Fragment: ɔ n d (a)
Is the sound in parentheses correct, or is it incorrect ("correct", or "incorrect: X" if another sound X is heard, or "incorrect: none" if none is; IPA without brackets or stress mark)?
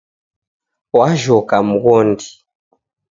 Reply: incorrect: i